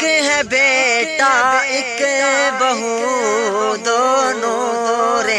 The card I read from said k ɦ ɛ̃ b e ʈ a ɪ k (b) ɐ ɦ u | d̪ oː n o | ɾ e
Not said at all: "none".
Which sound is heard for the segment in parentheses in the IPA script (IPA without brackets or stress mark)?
b